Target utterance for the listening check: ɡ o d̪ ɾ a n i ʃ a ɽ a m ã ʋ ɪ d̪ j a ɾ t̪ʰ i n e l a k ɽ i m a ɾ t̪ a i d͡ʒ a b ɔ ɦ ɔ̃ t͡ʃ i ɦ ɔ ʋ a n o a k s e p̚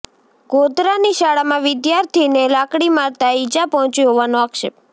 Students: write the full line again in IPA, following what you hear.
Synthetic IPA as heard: ɡ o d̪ ɾ a n i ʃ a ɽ a m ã ʋ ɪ d̪ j a ɾ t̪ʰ i n e l a k ɽ i m a ɾ t̪ a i d͡ʒ a p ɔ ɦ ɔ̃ t͡ʃ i ɦ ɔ ʋ a n o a k ʃ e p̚